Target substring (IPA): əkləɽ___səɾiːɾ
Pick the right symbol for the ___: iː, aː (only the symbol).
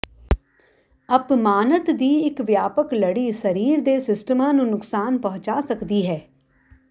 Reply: iː